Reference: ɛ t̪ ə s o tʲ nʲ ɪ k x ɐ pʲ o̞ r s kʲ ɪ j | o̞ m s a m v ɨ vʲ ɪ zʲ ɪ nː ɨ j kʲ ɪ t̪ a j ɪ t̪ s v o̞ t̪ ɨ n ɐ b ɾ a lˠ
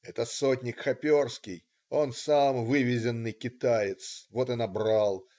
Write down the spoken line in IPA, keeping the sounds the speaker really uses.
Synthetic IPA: ɛ t̪ ə s o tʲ nʲ ɪ k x ɐ pʲ o̞ r s kʲ ɪ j | o̞ n s a m v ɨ vʲ ɪ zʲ ɪ nː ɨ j kʲ ɪ t̪ a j ɪ t̪ s v o̞ t̪ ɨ n ɐ b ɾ a lˠ